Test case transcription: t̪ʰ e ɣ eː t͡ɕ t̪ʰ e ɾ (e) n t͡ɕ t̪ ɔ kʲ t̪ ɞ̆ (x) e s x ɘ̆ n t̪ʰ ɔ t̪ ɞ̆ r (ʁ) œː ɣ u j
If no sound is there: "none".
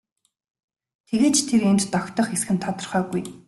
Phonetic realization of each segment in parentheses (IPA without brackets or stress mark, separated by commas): e, χ, χ